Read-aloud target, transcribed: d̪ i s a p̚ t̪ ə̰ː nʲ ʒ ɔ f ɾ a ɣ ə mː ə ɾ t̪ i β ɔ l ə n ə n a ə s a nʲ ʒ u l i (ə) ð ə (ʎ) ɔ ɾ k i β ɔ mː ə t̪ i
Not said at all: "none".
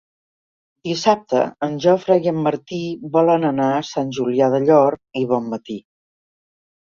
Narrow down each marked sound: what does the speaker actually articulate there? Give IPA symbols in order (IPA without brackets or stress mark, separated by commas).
a, ʎ